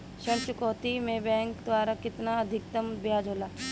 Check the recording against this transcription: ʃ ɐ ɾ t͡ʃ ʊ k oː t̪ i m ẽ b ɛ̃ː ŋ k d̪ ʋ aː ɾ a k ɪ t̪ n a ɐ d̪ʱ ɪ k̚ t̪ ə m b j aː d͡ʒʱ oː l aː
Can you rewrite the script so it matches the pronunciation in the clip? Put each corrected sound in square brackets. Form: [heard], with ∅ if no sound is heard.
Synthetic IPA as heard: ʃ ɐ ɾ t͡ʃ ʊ k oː t̪ i m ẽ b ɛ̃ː ŋ k d̪ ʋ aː ɾ a k ɪ t̪ n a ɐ d̪ʱ ɪ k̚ t̪ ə m b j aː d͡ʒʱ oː l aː